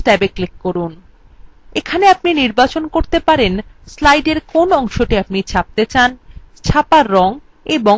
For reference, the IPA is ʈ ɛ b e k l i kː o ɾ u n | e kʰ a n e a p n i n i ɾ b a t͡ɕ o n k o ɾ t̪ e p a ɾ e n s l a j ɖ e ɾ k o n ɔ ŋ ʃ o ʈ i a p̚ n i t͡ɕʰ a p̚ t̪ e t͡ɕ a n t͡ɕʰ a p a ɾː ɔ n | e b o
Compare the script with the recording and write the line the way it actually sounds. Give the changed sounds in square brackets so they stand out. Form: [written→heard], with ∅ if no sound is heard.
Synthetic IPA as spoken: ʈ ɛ b e k l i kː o ɾ u n | e kʰ a n e a p n i n i ɾ b a t͡ɕ o n k o ɾ t̪ e p a ɾ e n s l a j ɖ e ɾ k o n ɔ ŋ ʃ o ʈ i a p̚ n i t͡ɕʰ a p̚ t̪ e t͡ɕ a n t͡ɕʰ a p a ɾː ɔ [n→ŋ] | e b o